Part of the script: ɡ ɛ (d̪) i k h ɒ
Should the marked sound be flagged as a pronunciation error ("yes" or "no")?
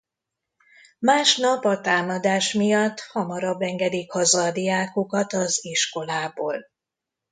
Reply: no